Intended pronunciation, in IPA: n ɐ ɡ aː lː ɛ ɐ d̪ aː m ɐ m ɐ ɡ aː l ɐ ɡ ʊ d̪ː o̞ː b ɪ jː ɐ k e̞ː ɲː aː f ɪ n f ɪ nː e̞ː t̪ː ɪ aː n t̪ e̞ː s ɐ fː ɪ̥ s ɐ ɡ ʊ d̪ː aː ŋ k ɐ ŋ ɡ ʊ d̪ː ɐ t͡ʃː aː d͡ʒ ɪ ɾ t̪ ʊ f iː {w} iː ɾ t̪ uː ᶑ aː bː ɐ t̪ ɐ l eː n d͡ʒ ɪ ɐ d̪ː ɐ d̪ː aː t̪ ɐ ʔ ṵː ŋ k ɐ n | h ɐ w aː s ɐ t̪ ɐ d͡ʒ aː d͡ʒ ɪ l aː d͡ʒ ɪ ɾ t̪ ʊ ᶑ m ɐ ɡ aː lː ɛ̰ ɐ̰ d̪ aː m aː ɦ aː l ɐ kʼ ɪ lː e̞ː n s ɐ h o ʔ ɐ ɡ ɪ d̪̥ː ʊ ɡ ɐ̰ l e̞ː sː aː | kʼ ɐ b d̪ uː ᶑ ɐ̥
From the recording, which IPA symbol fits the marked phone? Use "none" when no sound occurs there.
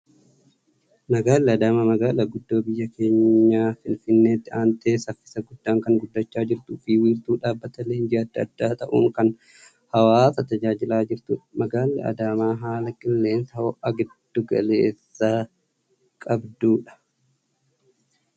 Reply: w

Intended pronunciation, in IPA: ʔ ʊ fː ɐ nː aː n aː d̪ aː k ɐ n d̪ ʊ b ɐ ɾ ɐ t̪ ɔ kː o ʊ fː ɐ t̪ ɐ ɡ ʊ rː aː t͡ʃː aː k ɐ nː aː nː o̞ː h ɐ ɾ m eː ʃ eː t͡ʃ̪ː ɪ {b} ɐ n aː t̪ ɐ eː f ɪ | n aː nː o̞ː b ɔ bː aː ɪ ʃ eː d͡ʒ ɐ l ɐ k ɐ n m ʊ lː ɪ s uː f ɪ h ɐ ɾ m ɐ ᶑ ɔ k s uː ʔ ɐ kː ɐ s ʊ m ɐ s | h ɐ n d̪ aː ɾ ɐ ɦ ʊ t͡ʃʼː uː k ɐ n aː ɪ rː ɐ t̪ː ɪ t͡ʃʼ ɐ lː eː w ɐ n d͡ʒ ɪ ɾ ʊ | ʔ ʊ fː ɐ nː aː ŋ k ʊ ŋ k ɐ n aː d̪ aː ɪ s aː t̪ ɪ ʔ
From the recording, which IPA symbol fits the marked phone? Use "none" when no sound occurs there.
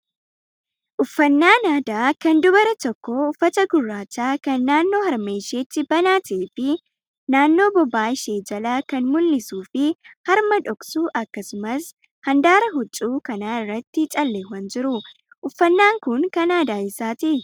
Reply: b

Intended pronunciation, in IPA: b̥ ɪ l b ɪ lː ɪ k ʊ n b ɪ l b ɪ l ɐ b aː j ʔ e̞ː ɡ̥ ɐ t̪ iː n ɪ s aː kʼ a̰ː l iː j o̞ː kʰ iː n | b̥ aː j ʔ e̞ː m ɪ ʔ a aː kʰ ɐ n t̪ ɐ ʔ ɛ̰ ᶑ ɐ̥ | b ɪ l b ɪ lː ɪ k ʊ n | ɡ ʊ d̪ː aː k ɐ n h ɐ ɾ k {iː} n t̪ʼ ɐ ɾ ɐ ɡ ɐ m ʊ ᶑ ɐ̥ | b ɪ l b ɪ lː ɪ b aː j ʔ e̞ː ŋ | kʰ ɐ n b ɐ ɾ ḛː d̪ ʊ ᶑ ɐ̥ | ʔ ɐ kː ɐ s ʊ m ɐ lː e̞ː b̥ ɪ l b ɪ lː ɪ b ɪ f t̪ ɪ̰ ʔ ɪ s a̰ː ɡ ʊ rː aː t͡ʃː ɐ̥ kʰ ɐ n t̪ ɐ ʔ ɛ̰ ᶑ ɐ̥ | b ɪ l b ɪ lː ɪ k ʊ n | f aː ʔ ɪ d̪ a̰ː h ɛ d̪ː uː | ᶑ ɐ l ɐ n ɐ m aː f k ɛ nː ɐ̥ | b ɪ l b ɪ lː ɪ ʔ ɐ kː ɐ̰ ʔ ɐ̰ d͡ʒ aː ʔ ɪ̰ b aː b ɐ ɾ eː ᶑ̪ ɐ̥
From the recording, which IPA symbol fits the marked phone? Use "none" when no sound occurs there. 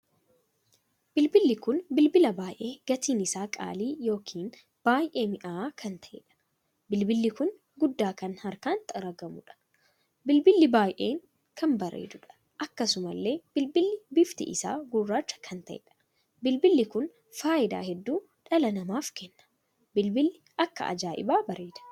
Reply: aː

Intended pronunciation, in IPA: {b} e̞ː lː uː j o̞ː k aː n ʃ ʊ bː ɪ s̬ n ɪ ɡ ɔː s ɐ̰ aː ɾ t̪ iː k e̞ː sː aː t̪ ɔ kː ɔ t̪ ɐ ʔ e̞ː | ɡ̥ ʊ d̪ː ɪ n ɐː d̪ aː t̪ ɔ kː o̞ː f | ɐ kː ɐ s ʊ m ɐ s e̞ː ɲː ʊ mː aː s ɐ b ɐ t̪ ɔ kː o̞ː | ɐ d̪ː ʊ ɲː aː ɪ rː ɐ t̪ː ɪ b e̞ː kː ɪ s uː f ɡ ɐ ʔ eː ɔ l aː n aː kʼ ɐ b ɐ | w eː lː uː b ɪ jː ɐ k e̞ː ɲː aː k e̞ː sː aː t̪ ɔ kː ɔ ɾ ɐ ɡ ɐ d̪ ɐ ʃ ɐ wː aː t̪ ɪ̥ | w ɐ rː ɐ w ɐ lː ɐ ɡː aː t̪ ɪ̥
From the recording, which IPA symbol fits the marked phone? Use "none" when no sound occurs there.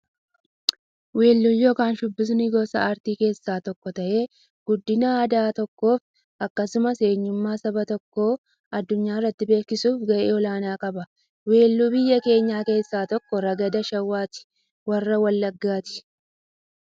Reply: w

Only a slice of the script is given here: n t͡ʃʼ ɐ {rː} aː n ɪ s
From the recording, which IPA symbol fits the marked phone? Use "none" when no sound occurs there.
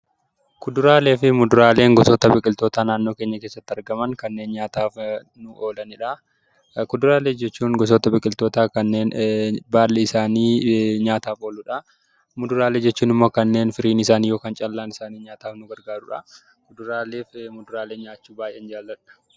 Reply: lː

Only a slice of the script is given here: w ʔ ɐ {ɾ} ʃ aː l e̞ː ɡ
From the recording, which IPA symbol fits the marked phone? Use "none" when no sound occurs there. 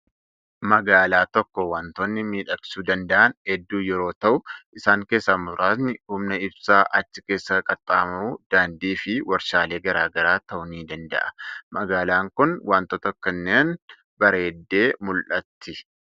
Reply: ɾ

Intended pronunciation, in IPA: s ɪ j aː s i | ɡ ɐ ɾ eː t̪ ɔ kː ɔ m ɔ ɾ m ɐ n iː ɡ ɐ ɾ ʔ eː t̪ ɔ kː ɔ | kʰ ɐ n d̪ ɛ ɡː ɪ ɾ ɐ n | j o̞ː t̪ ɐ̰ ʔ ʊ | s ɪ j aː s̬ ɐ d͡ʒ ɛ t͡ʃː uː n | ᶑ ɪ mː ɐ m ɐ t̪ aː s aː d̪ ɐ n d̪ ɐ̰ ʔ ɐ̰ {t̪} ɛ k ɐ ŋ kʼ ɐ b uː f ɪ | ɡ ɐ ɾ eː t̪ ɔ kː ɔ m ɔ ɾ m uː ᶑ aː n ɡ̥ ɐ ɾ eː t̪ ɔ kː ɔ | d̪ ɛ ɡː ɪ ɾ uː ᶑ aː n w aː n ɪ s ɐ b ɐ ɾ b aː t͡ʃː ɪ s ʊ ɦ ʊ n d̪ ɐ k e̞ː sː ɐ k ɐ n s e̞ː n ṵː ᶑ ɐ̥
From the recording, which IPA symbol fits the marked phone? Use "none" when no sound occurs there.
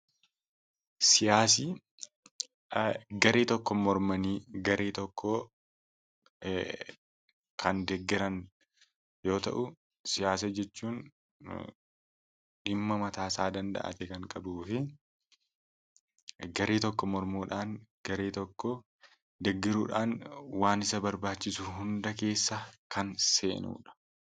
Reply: t̪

